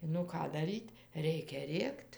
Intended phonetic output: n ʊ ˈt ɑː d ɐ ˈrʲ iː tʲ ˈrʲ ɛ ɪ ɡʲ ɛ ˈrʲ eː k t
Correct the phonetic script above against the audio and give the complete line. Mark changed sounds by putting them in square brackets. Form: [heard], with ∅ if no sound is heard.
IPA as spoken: n ʊ [ˈk] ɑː d ɐ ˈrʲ iː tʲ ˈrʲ ɛ ɪ [kʲ] ɛ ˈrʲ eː k t